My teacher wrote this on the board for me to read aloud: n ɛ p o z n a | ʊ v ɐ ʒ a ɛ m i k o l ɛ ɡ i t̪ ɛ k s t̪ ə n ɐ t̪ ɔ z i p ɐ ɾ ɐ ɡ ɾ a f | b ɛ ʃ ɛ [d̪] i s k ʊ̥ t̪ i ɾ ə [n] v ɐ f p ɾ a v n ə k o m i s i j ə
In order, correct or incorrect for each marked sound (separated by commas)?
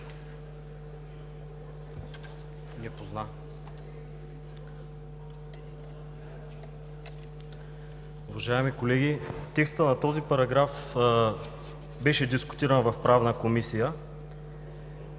correct, correct